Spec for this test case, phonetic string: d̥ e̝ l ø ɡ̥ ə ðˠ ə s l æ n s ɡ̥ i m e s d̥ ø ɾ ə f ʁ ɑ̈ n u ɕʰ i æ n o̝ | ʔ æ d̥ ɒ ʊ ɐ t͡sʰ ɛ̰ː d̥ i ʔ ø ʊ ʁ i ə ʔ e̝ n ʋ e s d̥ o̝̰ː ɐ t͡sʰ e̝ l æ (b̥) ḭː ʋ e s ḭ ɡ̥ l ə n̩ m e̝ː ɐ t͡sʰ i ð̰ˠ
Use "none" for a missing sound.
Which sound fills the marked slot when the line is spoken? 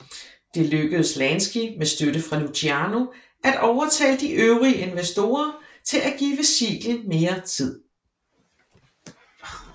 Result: ɡ̥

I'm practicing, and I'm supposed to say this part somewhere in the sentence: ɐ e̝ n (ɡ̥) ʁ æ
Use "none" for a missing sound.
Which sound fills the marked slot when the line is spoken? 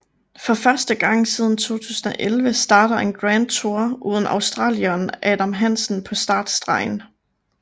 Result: ɡ̥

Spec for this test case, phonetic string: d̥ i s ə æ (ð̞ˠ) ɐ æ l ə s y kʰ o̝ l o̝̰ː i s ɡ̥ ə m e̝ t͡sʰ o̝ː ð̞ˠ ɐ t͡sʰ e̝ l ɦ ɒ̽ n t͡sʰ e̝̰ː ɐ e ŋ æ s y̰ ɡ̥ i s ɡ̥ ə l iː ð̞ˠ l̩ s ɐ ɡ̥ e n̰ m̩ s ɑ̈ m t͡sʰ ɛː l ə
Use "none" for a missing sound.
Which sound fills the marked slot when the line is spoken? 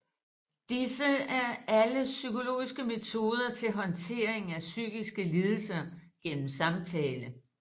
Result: none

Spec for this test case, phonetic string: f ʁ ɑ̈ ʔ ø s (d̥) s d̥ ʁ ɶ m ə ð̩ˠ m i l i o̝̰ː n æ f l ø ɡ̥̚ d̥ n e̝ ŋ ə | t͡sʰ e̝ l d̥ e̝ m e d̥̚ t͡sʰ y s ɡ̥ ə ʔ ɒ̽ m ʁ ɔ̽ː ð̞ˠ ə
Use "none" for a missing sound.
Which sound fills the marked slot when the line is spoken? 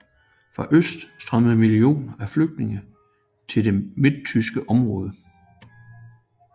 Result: d̥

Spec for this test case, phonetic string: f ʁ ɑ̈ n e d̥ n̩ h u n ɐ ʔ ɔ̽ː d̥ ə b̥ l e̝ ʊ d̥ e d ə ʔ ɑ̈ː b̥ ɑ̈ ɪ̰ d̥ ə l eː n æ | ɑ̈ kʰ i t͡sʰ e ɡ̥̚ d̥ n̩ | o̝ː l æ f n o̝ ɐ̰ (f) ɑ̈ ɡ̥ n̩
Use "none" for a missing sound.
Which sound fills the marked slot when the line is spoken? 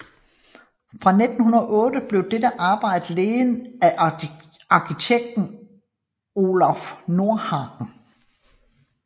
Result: h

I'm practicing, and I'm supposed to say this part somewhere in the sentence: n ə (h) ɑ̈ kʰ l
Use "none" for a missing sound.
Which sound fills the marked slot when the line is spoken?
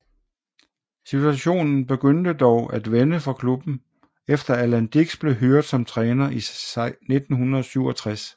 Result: f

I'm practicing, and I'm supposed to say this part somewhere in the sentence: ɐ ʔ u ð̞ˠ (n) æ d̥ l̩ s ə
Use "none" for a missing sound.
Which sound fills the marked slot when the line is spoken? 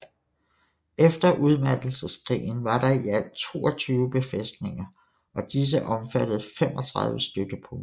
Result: m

